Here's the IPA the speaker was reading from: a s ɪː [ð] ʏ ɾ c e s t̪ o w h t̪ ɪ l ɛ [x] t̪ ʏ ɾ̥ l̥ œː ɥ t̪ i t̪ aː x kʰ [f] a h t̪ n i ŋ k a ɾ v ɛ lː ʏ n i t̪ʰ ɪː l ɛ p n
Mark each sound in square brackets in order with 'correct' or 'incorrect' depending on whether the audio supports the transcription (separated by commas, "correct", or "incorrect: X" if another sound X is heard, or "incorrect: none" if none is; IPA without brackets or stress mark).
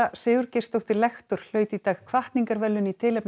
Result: incorrect: ɣ, correct, incorrect: v